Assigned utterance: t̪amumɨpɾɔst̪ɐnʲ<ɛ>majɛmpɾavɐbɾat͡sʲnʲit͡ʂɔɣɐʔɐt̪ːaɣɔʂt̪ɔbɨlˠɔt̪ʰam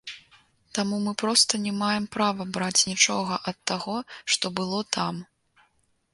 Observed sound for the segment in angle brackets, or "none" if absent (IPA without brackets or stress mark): ɛ